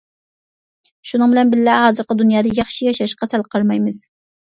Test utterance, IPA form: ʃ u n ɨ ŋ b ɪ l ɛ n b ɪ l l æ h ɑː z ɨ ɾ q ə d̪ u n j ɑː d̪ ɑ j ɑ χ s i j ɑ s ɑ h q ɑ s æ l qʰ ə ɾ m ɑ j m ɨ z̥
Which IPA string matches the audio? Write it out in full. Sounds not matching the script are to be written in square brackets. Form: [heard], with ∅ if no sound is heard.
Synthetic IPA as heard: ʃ u n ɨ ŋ b ɪ l ɛ n b ɪ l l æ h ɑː z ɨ ɾ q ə d̪ u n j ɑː d̪ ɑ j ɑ χ [ʃ] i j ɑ [ʃ] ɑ [ʃ] q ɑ s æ l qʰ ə ɾ m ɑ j m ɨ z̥